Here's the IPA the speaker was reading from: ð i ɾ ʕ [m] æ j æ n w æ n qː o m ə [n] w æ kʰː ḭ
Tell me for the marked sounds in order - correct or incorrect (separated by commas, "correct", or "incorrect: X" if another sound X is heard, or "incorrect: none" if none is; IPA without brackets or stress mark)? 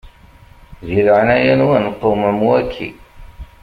incorrect: n, incorrect: m